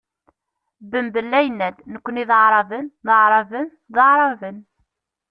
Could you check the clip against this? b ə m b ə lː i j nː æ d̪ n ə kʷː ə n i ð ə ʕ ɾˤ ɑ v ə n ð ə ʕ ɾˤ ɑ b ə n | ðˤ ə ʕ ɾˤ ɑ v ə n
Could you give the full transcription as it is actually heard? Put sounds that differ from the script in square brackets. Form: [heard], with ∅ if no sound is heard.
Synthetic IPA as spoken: b ə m b ə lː [æ] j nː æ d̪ n ə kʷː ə n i ð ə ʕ ɾˤ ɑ v ə n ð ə ʕ ɾˤ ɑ [v] ə n | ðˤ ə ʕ ɾˤ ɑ v ə n

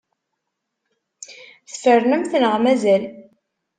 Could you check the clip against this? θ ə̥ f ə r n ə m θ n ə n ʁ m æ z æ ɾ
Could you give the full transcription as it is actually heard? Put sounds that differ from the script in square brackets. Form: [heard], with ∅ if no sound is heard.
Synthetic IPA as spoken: θ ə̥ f ə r n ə m θ n ə [∅] ʁ m æ z æ [l]

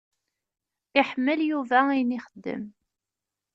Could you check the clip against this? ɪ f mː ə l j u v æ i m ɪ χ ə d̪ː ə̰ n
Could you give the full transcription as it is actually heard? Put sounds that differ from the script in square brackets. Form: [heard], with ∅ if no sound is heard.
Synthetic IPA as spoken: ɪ [ħ] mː ə l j u v æ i [n] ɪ χ ə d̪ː ə̰ [m]

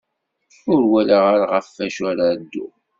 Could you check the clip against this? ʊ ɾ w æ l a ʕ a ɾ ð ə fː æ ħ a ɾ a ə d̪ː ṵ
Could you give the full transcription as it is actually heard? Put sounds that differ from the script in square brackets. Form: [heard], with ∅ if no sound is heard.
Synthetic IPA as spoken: ʊ ɾ w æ l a [ʁ] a ɾ [ʁ] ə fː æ [ʃ] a ɾ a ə d̪ː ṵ

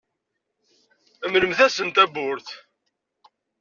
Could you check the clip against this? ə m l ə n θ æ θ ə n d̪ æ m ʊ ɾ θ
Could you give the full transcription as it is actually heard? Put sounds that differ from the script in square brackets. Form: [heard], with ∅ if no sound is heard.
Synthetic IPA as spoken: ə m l ə [m] θ æ [s] ə n [t̪] æ [b] ʊ ɾ θ

